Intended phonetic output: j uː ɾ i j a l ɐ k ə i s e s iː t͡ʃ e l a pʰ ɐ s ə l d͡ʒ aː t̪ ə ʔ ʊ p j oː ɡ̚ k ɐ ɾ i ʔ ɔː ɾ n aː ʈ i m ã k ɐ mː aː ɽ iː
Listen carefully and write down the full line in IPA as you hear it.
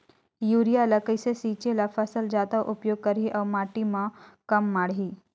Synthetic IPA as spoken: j uː ɾ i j a l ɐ k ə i s e s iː t͡ʃ e l a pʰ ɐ s ə l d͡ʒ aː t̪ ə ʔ ʊ p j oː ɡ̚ k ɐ ɾ i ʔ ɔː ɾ m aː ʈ i m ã k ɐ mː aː ɽ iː